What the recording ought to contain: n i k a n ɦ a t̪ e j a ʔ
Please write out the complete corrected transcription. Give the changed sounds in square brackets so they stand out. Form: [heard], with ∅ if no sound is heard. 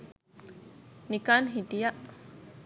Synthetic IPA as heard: n i k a n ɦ [i] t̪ [i] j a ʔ